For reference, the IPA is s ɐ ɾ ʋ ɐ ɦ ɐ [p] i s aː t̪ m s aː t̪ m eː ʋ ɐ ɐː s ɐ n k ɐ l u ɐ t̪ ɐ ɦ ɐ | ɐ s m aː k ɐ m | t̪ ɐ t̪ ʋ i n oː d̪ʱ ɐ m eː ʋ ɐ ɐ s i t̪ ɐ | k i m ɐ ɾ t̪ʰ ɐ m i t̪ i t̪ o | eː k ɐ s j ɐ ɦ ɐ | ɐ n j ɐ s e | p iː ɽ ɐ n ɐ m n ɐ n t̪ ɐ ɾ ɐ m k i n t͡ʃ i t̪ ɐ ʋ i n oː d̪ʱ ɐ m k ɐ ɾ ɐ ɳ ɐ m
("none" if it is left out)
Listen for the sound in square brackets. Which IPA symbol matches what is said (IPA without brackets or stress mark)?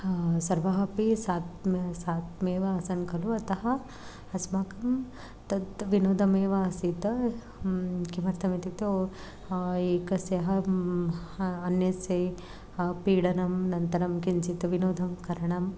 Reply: p